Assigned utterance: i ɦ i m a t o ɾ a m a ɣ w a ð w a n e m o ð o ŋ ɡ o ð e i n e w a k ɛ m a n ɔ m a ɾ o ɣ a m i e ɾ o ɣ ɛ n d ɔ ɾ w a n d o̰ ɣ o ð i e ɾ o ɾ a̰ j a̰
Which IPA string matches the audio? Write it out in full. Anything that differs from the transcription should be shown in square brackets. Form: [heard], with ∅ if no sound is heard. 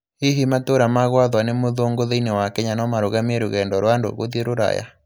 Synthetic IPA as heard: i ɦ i m a t o ɾ a m a ɣ w a ð w a n e m o ð o ŋ ɡ o ð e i n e w a k ɛ [ɲ] a n ɔ m a ɾ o ɣ a m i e ɾ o ɣ ɛ n d ɔ ɾ w a n d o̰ ɣ o ð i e ɾ o ɾ a̰ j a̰